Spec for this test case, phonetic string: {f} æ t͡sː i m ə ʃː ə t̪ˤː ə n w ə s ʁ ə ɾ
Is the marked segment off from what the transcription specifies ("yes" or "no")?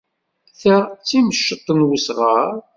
yes